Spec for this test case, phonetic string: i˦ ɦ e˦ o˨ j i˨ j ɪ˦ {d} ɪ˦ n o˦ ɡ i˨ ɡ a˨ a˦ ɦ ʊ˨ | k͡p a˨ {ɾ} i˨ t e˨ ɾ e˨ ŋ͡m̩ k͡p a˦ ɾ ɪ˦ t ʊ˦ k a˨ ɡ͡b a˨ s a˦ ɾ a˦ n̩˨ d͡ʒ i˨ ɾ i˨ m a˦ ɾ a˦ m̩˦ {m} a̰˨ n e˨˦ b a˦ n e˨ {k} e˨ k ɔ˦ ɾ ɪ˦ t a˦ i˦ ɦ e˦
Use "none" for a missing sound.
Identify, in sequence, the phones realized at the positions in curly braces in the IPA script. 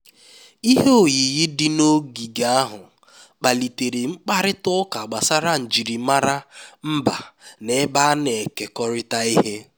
d, l, b, k

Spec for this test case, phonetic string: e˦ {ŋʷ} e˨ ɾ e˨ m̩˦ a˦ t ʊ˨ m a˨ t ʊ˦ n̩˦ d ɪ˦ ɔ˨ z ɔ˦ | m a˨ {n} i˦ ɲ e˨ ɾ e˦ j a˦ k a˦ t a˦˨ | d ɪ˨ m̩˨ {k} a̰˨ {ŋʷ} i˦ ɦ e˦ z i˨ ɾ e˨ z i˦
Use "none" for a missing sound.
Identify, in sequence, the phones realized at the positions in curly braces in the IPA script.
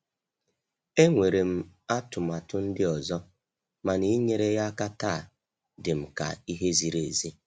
ŋʷ, n, k, none

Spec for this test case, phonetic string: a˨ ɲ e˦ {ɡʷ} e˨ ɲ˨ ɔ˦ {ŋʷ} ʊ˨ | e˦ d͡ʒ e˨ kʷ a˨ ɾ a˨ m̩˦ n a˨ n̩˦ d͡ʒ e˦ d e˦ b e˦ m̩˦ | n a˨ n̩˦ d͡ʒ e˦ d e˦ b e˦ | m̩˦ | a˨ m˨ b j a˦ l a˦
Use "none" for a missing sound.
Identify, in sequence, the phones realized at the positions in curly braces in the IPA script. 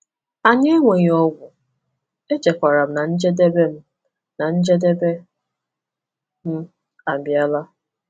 ŋʷ, ɡʷ

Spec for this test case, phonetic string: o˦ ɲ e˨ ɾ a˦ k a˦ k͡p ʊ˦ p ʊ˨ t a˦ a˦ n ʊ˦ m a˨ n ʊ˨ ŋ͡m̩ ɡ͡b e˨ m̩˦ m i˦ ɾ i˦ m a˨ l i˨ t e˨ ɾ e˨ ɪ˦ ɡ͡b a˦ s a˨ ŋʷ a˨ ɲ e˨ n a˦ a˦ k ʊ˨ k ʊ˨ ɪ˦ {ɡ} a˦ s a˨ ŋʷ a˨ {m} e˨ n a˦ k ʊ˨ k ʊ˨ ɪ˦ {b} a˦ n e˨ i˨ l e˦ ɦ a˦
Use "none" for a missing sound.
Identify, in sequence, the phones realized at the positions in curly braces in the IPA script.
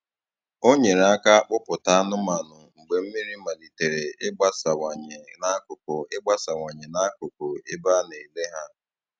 ɡ͡b, ɲ, b

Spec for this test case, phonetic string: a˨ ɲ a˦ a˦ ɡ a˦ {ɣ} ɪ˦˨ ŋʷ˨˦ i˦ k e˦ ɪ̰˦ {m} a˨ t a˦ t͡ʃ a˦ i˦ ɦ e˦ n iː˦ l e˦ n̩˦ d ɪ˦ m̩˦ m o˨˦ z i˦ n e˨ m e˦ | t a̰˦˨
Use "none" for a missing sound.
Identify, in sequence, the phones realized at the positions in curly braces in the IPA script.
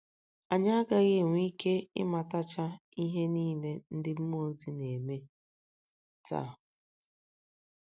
ɣ, m

